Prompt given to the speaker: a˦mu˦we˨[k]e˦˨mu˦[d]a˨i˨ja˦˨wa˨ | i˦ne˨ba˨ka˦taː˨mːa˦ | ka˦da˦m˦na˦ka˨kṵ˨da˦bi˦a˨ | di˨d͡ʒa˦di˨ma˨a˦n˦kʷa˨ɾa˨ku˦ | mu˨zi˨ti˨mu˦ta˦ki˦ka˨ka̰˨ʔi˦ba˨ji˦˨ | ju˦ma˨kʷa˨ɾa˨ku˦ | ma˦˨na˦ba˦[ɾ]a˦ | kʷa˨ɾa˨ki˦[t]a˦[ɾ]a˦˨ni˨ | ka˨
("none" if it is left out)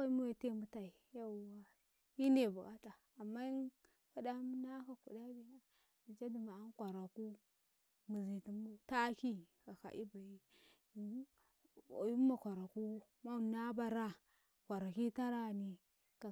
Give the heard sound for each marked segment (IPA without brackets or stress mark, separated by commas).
t, t, ɾ, t, ɾ